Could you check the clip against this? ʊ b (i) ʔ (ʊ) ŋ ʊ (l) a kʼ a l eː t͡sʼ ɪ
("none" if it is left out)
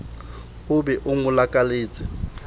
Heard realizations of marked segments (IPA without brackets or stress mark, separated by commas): ɛ, ʊ, l